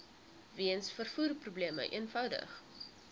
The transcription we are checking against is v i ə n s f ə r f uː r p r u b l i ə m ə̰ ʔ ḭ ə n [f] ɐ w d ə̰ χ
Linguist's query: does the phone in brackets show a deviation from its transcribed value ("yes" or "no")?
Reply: no